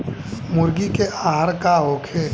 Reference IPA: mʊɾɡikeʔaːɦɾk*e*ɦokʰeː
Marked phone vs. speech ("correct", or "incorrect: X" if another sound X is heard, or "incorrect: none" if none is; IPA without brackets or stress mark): incorrect: a